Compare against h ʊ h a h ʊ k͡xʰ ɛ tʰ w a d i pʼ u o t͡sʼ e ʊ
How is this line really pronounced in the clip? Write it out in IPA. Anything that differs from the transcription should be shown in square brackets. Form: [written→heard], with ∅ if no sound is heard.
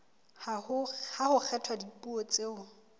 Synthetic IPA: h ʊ h a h ʊ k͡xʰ ɛ tʰ w a d i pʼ u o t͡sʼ e ʊ